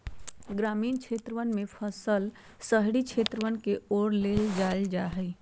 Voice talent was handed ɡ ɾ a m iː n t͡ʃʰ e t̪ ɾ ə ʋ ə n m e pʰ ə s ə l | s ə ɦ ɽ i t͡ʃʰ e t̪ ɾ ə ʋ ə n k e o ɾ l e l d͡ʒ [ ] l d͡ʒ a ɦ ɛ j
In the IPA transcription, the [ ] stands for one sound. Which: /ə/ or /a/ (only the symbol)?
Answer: a